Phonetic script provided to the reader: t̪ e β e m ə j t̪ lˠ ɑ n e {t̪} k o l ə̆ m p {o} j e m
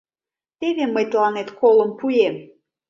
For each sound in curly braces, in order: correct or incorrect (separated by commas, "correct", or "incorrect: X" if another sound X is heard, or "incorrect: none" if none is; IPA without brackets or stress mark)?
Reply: correct, incorrect: u